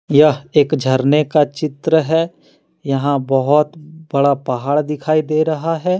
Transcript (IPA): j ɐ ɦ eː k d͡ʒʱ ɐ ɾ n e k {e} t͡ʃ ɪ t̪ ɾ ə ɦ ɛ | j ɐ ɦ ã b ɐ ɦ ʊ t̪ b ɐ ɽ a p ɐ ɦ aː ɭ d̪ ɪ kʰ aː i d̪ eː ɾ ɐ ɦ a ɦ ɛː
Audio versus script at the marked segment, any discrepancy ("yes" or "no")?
yes